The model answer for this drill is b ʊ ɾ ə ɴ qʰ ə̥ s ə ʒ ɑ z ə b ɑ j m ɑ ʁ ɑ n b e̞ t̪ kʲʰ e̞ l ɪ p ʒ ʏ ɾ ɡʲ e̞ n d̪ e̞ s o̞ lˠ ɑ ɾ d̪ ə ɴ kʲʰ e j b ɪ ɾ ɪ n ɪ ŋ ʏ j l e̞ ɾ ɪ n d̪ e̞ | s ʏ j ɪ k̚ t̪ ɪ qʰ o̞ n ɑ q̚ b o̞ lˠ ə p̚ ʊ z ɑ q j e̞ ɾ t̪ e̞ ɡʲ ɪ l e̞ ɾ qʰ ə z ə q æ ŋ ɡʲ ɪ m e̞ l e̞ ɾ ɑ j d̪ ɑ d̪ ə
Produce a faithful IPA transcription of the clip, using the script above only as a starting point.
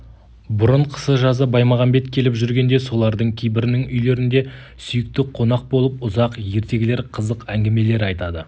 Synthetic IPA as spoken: b ʊ ɾ ə ɴ qʰ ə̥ s ə ʒ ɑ z ə b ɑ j m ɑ ʁ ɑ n b e̞ t̪ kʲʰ e̞ l ɪ p ʒ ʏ ɾ ɡʲ e̞ n d̪ e̞ s o̞ lˠ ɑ ɾ d̪ ə ɴ kʲʰ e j b ɪ ɾ ɪ n ɪ ŋ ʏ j l e̞ ɾ ɪ n d̪ e̞ | s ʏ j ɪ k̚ t̪ ɪ qʰ o̞ n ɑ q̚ b o̞ lˠ ə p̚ ʊ z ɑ q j e̞ ɾ t̪ e̞ ɡʲ ɪ l e̞ ɾ qʰ ə z ə q æ ŋ ɡʲ ɪ m e̞ l e̞ ɾ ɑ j t̪ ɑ d̪ ə